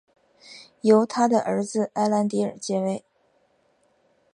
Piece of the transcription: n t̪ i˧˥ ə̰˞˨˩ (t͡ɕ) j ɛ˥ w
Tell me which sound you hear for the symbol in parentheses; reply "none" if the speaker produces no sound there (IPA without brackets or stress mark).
t͡ɕ